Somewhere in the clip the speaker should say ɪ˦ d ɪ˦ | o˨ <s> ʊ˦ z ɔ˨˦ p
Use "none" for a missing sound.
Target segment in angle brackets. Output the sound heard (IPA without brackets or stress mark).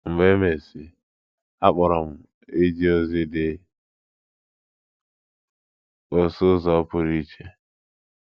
s